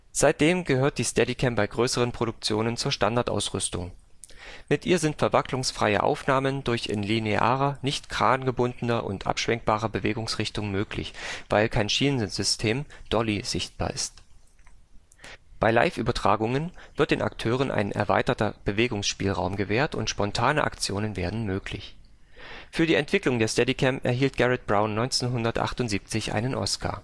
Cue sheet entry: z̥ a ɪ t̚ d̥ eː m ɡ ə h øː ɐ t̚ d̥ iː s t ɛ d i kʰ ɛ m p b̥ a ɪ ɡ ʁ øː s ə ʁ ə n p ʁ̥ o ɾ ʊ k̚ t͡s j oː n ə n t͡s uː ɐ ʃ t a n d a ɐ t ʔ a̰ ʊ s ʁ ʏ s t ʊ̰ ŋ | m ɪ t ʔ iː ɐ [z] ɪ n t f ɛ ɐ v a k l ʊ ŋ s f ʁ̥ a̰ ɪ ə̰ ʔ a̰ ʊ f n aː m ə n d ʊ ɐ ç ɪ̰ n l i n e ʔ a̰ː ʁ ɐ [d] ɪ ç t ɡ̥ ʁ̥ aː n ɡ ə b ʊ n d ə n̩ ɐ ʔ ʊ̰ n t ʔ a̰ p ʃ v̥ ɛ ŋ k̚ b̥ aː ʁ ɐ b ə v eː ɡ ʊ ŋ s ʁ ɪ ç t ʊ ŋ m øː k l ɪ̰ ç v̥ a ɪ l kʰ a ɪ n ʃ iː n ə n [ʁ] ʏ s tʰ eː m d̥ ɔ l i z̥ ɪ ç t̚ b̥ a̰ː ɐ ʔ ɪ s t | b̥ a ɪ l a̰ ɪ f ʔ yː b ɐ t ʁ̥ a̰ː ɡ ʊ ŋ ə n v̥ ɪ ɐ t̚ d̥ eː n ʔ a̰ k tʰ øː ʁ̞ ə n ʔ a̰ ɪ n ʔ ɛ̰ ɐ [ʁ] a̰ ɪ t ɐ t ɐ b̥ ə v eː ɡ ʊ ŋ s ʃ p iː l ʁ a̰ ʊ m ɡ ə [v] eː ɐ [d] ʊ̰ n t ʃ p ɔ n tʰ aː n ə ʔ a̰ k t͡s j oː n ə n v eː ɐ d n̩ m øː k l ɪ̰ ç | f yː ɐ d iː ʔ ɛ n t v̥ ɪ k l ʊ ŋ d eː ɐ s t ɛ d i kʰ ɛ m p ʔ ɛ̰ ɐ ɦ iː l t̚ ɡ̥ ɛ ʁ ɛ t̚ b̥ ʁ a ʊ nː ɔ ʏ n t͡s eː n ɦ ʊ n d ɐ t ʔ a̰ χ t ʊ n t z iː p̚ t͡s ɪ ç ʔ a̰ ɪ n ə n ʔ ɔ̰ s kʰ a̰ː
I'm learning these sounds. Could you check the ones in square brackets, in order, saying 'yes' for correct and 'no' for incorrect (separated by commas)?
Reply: yes, no, no, no, yes, no